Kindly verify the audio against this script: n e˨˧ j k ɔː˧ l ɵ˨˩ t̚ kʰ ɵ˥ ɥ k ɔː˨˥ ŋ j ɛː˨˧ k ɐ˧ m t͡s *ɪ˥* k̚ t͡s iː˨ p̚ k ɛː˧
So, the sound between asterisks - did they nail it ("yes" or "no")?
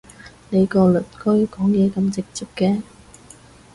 no